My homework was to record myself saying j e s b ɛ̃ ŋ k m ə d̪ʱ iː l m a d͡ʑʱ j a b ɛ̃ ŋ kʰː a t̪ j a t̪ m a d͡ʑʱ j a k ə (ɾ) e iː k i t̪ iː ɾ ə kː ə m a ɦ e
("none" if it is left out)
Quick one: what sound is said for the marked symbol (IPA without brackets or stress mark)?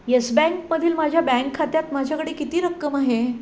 ɽ